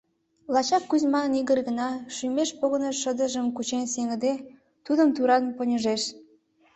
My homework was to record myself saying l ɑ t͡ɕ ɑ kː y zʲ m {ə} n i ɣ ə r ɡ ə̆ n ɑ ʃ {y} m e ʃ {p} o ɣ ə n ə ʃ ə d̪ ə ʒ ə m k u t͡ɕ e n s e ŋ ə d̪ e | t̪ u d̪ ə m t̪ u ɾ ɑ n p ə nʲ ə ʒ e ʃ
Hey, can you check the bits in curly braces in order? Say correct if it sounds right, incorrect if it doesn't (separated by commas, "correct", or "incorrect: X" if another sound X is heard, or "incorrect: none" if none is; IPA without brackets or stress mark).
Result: incorrect: ɑ, correct, correct